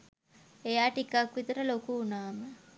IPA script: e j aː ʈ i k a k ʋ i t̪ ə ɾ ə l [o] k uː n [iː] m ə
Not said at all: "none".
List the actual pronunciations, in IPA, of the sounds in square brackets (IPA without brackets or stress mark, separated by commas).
o, aː